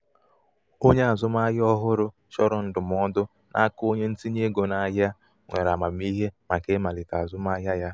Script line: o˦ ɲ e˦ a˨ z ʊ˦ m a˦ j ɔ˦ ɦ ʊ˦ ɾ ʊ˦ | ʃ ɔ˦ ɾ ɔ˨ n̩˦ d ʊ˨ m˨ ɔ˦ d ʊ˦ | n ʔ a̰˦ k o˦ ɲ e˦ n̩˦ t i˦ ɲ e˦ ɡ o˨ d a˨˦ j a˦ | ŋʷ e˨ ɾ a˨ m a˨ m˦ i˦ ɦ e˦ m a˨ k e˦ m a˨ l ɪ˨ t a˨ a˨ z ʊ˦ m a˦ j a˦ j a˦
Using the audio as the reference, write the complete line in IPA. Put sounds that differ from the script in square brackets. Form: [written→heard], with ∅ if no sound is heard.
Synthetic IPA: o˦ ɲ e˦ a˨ z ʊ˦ m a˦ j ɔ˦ ɦ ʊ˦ ɾ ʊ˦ | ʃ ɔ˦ ɾ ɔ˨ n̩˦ d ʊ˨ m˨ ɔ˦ d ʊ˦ | n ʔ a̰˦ k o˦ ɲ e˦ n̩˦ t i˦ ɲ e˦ ɡ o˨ [d→n] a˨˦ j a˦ | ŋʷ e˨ ɾ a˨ m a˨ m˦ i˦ ɦ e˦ m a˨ k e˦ m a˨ l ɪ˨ t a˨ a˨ z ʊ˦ m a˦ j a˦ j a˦